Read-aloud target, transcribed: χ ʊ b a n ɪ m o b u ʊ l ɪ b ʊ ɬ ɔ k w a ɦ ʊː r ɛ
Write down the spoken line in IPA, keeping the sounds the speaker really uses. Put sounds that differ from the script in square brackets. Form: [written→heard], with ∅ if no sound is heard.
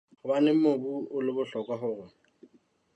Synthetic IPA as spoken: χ ʊ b a n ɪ m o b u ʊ l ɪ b ʊ ɬ ɔ k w a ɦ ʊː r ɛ